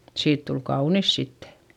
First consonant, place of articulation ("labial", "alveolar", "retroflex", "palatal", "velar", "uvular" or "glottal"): alveolar